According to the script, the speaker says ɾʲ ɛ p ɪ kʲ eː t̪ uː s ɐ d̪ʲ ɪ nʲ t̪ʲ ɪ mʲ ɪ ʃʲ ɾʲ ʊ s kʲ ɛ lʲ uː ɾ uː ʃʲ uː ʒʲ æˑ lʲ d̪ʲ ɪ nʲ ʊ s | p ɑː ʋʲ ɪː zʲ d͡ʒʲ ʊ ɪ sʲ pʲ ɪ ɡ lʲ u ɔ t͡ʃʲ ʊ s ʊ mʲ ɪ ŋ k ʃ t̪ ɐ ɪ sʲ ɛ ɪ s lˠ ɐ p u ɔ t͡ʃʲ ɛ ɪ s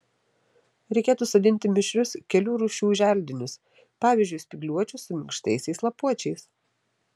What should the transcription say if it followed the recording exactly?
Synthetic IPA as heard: ɾʲ ɛ ɪ kʲ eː t̪ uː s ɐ d̪ʲ ɪ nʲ t̪ʲ ɪ mʲ ɪ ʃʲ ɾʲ ʊ s kʲ ɛ lʲ uː ɾ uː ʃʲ uː ʒʲ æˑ lʲ d̪ʲ ɪ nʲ ʊ s | p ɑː ʋʲ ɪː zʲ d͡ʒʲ ʊ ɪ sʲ pʲ ɪ ɡ lʲ u ɔ t͡ʃʲ ʊ s ʊ mʲ ɪ ŋ k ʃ t̪ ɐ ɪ sʲ ɛ ɪ s lˠ ɐ p u ɔ t͡ʃʲ ɛ ɪ s